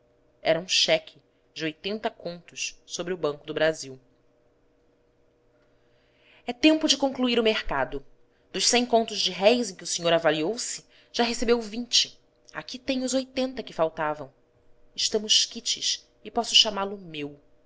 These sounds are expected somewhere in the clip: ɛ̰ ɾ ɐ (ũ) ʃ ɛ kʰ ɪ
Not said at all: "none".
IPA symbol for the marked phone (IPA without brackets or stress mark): ũ